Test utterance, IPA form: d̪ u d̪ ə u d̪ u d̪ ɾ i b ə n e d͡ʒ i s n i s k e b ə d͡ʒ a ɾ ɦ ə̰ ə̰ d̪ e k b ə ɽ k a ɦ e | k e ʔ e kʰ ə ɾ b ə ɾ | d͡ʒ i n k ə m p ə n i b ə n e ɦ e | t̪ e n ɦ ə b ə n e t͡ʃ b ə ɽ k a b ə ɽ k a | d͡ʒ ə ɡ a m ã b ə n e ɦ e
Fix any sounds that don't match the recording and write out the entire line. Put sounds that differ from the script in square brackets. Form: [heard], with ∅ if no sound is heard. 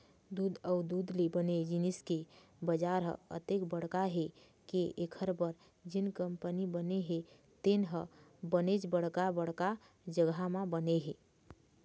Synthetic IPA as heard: d̪ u d̪ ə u d̪ u d̪ [l] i b ə n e d͡ʒ i [∅] n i s k e b ə d͡ʒ a ɾ ɦ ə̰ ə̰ [t̪] e k b ə ɽ k a ɦ e | k e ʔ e kʰ ə ɾ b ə ɾ | d͡ʒ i n k ə m p ə n i b ə n e ɦ e | t̪ e n ɦ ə b ə n e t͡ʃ b ə ɽ k a b ə ɽ k a | d͡ʒ ə ɡ a m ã b ə n e ɦ e

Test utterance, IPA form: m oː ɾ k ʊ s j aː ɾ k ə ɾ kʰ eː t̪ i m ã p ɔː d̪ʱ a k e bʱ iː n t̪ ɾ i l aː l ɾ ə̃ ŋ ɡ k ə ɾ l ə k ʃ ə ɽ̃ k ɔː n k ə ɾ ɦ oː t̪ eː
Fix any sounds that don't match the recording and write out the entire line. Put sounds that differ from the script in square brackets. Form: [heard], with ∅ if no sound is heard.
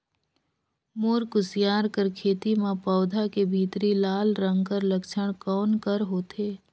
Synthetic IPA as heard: m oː ɾ k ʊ s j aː ɾ k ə ɾ kʰ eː t̪ i m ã p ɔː d̪ʱ a k e bʱ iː [∅] t̪ ɾ i l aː l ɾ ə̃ ŋ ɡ k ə ɾ l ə k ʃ ə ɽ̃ k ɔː n k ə ɾ ɦ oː t̪ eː

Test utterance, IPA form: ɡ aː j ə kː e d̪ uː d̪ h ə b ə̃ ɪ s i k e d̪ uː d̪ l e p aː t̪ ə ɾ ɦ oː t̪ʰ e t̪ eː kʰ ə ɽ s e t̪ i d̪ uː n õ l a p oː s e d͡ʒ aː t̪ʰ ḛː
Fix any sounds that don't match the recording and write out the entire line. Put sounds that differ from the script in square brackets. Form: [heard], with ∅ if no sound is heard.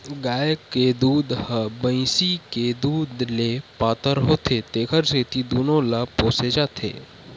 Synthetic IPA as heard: ɡ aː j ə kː e d̪ uː d̪ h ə b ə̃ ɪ s i k e d̪ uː d̪ l e p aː t̪ ə ɾ ɦ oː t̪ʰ e t̪ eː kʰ ə [ɾ] s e t̪ i d̪ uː n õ l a p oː s e d͡ʒ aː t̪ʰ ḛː

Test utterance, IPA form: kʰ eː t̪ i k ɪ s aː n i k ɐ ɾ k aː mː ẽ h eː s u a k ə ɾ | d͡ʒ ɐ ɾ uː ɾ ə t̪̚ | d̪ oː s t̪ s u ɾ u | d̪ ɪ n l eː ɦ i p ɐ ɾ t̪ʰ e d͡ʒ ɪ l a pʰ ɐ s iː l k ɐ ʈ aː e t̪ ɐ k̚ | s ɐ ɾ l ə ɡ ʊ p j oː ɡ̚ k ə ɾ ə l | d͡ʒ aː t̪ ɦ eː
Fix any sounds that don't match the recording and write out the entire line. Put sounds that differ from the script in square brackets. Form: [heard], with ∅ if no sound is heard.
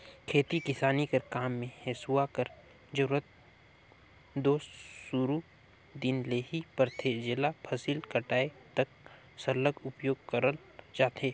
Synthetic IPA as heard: kʰ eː t̪ i k ɪ s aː n i k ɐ ɾ k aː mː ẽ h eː s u a k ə ɾ | d͡ʒ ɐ ɾ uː ɾ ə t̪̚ | d̪ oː s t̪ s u ɾ u | d̪ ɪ n l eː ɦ i p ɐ ɾ t̪ʰ e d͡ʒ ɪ l a pʰ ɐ s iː l k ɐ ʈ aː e t̪ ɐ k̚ | s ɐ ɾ l ə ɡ ʊ p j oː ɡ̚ k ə ɾ ə l | d͡ʒ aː t̪ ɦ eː

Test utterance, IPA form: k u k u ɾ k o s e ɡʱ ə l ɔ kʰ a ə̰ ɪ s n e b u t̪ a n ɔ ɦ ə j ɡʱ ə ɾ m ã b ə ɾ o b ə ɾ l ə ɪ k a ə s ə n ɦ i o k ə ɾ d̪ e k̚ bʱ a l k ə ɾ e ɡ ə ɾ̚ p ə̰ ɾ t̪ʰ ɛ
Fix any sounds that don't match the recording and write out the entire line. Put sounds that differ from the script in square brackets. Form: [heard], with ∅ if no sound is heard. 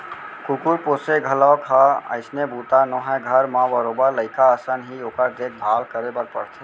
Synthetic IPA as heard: k u k u ɾ [p] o s e ɡʱ ə l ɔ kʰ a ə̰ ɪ s n e b u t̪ a n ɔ ɦ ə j ɡʱ ə ɾ m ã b ə ɾ o b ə ɾ l ə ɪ k a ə s ə n ɦ i o k ə ɾ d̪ e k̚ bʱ a l k ə ɾ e [b] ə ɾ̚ p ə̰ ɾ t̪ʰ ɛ

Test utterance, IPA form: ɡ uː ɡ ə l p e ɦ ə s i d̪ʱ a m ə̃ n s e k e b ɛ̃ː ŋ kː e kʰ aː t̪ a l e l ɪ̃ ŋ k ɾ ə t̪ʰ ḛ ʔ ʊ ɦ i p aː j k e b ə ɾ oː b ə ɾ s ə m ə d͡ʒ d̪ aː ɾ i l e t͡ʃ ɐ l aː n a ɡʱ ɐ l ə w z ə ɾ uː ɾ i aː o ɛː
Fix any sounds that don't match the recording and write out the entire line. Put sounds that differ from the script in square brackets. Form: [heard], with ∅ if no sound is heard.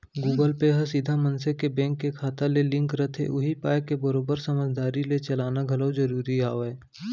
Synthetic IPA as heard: ɡ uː ɡ ə l p e ɦ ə s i d̪ʱ a m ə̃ n s e k e b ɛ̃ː ŋ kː e kʰ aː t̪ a l e l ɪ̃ ŋ k ɾ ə t̪ʰ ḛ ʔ ʊ ɦ i p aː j k e b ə ɾ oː b ə ɾ s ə m ə d͡ʒ d̪ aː ɾ i l e t͡ʃ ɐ l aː n a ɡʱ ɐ l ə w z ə ɾ uː ɾ i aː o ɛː

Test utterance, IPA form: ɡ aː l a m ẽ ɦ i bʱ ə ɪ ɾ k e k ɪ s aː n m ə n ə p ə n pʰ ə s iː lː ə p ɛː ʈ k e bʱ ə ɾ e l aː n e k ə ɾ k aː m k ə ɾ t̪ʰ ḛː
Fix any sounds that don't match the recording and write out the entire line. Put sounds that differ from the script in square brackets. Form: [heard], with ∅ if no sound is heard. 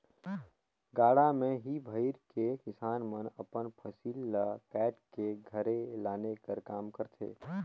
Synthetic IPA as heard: ɡ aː [ɽ] a m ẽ ɦ i bʱ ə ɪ ɾ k e k ɪ s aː n m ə n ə p ə n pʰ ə s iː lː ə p ɛː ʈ k e [ɡʱ] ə ɾ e l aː n e k ə ɾ k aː m k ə ɾ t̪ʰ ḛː

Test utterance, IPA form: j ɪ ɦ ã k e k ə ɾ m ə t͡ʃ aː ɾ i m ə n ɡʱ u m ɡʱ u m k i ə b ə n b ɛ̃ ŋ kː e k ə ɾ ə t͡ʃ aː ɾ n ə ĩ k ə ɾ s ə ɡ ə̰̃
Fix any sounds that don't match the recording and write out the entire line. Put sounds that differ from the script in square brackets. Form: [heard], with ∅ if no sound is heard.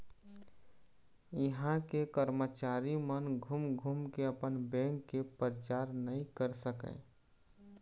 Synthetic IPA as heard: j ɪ ɦ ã k e k ə ɾ m ə t͡ʃ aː ɾ i m ə n ɡʱ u m ɡʱ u m k [e] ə [p] ə n b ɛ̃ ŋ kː e [p] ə ɾ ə t͡ʃ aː ɾ n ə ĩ k ə ɾ s ə [k] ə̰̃

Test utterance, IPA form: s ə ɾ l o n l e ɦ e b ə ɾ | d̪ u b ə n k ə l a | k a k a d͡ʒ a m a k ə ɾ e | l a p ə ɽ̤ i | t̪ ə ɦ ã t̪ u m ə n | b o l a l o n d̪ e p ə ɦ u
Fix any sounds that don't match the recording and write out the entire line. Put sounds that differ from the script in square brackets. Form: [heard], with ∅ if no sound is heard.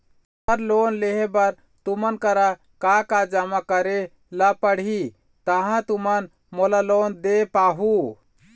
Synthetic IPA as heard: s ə ɾ l o n l e ɦ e b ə ɾ | [t̪] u [m] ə n k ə [ɾ] a | k a k a d͡ʒ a m a k ə ɾ e | l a p ə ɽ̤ i | t̪ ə ɦ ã t̪ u m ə n | [m] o l a l o n d̪ e p [a] ɦ u

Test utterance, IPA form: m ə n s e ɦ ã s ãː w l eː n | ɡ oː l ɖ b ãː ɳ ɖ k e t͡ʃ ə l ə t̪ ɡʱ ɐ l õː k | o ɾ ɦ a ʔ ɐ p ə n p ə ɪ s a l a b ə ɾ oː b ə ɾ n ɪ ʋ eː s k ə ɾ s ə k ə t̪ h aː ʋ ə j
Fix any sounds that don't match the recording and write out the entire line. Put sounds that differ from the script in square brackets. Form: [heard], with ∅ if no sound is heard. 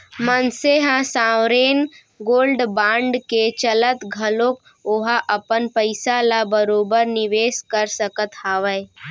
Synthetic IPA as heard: m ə n s e ɦ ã s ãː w [ɾ] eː n | ɡ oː l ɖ b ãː ɳ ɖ k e t͡ʃ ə l ə t̪ ɡʱ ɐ l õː k | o [∅] ɦ a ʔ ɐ p ə n p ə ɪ s a l a b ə ɾ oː b ə ɾ n ɪ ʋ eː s k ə ɾ s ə k ə t̪ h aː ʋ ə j

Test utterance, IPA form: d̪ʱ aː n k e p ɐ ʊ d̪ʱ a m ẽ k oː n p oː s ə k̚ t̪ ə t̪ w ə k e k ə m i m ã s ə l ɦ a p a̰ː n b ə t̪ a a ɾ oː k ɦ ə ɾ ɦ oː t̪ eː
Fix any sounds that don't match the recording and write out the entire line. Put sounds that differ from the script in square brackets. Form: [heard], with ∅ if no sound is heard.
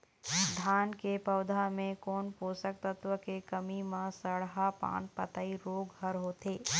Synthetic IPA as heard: d̪ʱ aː n k e p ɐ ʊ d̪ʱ a m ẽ k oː n p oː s ə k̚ t̪ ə t̪ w ə k e k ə m i m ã s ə [ɽ] ɦ a p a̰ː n [p] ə t̪ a [i] ɾ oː [ɡ] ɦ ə ɾ ɦ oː t̪ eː

